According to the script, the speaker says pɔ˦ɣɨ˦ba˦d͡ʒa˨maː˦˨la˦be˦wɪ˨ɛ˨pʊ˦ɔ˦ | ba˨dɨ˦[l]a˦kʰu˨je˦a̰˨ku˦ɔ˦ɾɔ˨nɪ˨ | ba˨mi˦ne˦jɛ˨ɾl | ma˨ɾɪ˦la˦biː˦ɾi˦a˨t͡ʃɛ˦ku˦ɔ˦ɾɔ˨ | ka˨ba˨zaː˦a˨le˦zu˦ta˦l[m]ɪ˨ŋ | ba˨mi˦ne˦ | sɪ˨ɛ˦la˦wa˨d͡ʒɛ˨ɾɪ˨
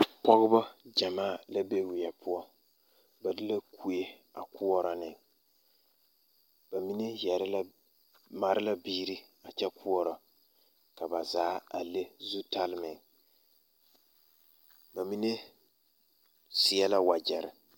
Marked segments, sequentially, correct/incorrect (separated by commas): correct, correct